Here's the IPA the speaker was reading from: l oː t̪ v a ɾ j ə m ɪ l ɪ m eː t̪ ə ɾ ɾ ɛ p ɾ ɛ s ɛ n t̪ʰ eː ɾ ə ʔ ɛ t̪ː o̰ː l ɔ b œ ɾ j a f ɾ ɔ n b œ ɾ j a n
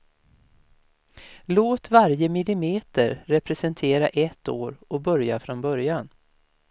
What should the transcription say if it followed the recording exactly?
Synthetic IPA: l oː t̪ v a ɾ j ə m ɪ l ɪ m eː t̪ ə ɾ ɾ ɛ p ɾ ɛ s ɛ n t̪ʰ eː ɾ a ʔ ɛ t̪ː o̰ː ɾ ɔ b œ ɾ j a f ɾ ɔ n b œ ɾ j a n